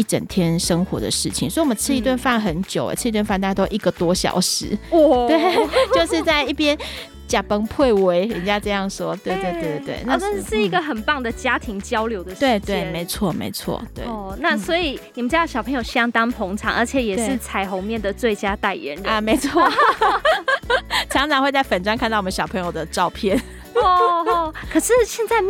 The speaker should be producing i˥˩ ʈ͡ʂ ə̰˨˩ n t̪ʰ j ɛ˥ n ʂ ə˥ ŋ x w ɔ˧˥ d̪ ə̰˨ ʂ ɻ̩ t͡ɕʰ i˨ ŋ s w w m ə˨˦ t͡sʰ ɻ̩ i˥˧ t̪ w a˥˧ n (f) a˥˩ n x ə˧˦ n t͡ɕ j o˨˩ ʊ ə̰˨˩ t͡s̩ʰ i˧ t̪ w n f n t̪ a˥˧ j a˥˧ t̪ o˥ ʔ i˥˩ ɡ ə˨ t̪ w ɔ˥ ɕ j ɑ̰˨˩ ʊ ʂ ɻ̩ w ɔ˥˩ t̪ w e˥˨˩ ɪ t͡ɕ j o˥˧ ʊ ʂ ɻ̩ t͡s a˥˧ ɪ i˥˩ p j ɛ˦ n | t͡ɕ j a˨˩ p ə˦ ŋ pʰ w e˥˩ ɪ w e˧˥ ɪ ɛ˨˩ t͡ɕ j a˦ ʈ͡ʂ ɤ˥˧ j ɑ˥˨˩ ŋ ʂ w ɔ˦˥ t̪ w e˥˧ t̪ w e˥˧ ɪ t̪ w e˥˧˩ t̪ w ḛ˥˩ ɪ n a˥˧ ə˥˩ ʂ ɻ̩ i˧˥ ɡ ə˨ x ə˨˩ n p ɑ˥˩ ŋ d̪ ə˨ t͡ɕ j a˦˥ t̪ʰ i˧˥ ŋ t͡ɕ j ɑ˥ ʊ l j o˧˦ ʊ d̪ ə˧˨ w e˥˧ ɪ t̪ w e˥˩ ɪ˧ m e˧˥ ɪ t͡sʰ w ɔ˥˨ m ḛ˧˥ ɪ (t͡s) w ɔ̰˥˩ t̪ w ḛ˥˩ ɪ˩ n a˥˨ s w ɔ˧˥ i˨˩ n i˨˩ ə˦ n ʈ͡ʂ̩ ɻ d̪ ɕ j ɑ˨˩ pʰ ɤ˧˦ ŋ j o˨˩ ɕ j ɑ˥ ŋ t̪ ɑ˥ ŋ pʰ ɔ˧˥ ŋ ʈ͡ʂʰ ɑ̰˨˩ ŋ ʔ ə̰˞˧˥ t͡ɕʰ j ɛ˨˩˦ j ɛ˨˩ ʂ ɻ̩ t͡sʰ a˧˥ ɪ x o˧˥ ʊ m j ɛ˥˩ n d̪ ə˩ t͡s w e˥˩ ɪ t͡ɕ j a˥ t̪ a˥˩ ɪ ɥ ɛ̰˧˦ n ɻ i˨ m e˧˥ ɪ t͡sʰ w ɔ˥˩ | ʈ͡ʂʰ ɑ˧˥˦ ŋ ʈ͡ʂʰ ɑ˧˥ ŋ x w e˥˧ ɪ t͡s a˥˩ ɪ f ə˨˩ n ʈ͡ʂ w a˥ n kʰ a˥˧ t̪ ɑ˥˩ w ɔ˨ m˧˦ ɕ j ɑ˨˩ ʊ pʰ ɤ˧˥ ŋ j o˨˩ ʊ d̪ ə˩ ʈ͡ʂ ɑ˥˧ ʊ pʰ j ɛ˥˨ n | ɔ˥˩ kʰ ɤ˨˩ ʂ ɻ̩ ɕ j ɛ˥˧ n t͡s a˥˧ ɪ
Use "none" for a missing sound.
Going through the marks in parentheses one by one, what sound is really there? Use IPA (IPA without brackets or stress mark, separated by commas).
f, t͡sʰ